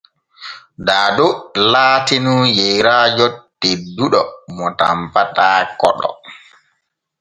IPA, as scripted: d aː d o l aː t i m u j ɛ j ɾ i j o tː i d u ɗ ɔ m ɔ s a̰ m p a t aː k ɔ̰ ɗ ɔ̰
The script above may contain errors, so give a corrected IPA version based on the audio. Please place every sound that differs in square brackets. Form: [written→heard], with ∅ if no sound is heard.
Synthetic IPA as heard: d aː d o l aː t i [m→n] u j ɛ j ɾ [i→a] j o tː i d u ɗ ɔ m ɔ [s→t] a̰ m p a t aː k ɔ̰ ɗ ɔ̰

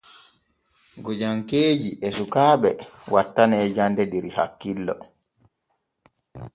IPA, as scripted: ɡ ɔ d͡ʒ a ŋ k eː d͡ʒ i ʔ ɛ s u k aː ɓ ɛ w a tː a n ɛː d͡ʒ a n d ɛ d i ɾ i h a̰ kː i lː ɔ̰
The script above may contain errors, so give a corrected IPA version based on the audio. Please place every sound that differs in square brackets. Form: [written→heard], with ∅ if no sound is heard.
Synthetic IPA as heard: ɡ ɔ d͡ʒ a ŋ k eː d͡ʒ i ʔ ɛ s u k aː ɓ ɛ w a tː a n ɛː d͡ʒ a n d ɛ d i ɾ i h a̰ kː i lː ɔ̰

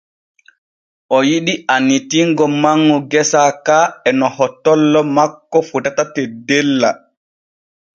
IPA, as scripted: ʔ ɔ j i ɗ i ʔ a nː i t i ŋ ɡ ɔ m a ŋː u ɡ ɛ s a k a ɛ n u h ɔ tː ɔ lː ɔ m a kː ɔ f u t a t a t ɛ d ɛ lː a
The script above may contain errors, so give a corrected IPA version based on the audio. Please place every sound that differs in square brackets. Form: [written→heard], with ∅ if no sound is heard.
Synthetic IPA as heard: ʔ ɔ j i ɗ i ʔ a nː i t i ŋ ɡ ɔ m a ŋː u ɡ ɛ s a k a ɛ n [u→ɔ] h ɔ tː ɔ lː ɔ m a kː ɔ f u t a t a t ɛ d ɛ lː a

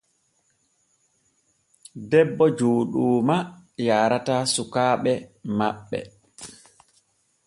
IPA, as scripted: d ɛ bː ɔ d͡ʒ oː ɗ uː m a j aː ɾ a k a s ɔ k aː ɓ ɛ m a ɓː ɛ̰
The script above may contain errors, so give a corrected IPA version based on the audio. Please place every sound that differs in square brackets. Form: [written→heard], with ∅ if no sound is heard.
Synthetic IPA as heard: d ɛ bː ɔ d͡ʒ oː ɗ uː m a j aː ɾ a [k→t] a s [ɔ→u] k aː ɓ ɛ m a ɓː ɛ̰

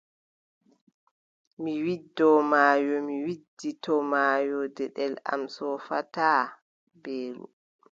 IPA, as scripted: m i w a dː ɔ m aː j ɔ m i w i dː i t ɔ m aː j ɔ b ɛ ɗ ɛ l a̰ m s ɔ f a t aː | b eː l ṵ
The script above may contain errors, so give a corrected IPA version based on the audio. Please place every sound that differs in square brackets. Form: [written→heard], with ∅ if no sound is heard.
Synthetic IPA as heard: m i w [a→i] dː ɔ m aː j ɔ m i w i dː i t ɔ m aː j ɔ [b→d] ɛ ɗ ɛ l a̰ m s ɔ f a t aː | b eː l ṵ

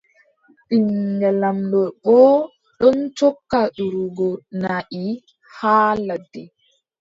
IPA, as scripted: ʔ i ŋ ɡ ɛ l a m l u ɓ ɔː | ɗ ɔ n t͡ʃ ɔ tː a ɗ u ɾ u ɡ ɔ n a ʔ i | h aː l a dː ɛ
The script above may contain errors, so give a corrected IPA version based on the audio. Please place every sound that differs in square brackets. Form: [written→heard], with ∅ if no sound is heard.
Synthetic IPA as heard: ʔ i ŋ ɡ ɛ l a m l [u→ɔ] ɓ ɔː | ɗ ɔ n t͡ʃ ɔ [tː→kː] a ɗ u ɾ u ɡ ɔ n a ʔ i | h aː l a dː ɛ

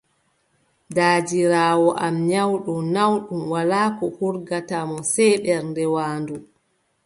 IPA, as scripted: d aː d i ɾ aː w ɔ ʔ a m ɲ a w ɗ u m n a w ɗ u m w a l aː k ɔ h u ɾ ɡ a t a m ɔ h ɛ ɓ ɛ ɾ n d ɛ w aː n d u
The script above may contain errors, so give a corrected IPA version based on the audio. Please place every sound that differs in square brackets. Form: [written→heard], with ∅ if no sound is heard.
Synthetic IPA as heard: d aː [d→d͡ʒ] i ɾ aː w ɔ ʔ a m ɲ a w ɗ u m n a w ɗ u m w a l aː k ɔ h u ɾ ɡ a t a m ɔ [h→s] ɛ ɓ ɛ ɾ n d ɛ w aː n d u

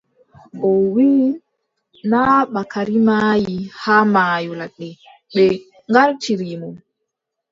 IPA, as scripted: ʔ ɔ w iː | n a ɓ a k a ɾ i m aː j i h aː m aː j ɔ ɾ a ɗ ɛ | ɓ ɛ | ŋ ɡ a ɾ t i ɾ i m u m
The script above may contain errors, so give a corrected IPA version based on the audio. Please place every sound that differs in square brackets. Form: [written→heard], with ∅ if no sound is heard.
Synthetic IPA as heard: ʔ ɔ w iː | n a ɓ a k a ɾ i m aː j i h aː m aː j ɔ [ɾ→l] a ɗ ɛ | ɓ ɛ | ŋ ɡ a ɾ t i ɾ i m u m

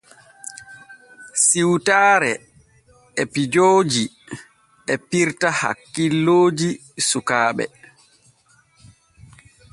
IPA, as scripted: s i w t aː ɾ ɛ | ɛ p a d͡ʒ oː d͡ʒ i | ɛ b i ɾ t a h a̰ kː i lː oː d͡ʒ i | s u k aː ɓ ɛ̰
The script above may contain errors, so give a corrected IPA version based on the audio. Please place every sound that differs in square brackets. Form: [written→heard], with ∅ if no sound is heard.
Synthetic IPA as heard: s i w t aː ɾ ɛ | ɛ p [a→i] d͡ʒ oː d͡ʒ i | ɛ [b→p] i ɾ t a h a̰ kː i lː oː d͡ʒ i | s u k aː ɓ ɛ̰

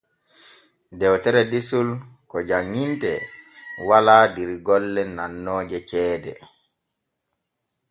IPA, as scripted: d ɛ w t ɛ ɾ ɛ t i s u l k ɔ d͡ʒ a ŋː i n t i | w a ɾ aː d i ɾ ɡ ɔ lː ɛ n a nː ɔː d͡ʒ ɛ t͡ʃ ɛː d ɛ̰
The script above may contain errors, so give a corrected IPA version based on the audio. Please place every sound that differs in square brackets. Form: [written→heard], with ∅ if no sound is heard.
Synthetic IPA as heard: d ɛ w t ɛ ɾ ɛ [t→d] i s u l k ɔ d͡ʒ a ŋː i n t [i→ɛ] | w a [ɾ→l] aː d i ɾ ɡ ɔ lː ɛ n a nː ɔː d͡ʒ ɛ t͡ʃ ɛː d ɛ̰

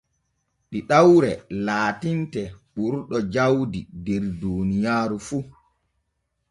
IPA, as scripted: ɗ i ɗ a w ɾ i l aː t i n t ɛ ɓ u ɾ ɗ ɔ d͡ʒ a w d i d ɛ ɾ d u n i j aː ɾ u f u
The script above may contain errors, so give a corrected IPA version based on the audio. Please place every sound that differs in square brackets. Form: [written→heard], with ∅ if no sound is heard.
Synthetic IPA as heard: ɗ i ɗ a w ɾ [i→ɛ] l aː t i n t ɛ ɓ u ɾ ɗ ɔ d͡ʒ a w d i d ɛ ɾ d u n i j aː ɾ u f u

